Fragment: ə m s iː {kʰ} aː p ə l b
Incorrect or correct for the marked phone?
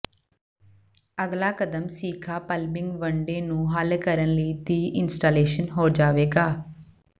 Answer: correct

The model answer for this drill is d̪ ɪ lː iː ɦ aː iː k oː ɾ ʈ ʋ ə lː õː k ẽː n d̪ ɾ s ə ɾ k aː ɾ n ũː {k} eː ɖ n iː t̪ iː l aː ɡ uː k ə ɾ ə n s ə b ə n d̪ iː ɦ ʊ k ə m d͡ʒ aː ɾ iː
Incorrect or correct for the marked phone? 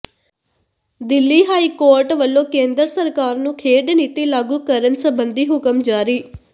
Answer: incorrect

